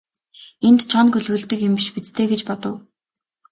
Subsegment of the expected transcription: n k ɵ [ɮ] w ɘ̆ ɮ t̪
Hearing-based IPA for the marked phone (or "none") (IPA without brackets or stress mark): ɮ